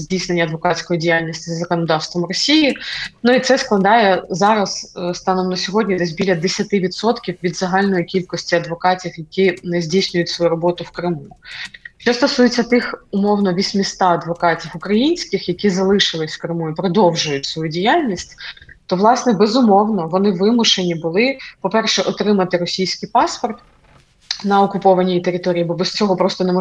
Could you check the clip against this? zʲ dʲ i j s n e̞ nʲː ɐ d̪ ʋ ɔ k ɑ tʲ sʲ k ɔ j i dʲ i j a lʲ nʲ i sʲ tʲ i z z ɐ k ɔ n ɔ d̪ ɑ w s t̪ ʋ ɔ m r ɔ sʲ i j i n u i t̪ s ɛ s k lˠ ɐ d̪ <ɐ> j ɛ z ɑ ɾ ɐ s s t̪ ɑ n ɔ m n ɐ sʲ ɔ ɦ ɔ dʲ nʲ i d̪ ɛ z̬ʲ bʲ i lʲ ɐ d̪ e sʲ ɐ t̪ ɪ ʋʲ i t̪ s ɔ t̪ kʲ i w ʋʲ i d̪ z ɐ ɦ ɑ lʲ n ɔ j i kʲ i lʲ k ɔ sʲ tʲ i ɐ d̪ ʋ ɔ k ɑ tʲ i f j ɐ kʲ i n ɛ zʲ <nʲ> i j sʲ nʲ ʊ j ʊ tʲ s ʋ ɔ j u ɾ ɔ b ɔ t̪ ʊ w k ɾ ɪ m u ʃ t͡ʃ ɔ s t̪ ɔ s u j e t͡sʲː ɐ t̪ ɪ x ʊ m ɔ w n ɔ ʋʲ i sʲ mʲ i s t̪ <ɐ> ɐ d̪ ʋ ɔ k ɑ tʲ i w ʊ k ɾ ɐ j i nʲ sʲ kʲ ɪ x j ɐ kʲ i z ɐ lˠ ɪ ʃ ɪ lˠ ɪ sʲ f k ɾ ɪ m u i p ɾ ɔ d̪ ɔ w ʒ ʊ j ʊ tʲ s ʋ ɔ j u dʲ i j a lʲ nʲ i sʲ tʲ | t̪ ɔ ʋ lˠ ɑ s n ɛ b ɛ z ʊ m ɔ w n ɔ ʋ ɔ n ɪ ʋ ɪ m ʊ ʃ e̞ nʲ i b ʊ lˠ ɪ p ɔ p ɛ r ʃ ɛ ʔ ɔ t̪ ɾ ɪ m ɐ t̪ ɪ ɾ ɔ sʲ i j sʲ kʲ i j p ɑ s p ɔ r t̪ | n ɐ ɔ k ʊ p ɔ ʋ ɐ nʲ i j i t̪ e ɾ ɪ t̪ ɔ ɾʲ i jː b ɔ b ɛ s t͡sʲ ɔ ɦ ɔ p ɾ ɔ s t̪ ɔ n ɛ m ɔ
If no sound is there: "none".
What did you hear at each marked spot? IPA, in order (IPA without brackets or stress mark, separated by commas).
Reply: ɑ, dʲ, ɑ